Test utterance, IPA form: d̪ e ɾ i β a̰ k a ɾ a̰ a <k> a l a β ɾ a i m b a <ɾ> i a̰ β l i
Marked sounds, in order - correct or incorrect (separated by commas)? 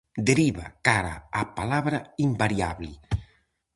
incorrect, correct